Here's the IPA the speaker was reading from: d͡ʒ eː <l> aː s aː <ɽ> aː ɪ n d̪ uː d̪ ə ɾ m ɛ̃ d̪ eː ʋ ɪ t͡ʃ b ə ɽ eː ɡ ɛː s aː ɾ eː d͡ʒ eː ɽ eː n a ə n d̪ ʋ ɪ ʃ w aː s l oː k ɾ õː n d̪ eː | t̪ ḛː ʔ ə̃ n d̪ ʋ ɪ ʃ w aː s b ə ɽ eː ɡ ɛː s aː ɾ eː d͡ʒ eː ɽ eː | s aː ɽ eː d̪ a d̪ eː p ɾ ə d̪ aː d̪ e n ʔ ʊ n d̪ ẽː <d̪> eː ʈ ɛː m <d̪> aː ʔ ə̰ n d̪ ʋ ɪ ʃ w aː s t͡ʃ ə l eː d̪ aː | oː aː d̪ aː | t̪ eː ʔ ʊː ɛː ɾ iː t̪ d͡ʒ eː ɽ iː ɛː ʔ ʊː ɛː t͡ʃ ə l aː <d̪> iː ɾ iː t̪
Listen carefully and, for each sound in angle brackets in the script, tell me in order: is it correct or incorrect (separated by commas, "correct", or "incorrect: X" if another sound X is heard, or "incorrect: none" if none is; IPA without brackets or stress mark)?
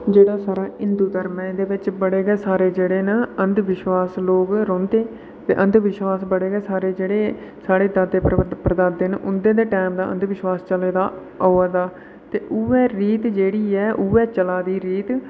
incorrect: ɽ, incorrect: ɾ, correct, correct, correct